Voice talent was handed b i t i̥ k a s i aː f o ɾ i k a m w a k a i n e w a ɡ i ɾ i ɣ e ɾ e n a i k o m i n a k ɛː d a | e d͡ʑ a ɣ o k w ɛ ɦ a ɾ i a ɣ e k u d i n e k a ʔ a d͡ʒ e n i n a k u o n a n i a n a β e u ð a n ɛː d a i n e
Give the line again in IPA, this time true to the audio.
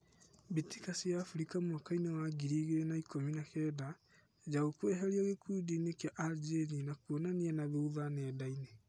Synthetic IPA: b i t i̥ k a s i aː f u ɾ i k a m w a k a i n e w a ɡ i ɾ i ɣ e ɾ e n a i k o m i n a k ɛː d a | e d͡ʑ a ɣ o k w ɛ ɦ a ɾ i a ɣ e k u d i n e k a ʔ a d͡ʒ e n i n a k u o n a n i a n a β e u ð a n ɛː d a i n e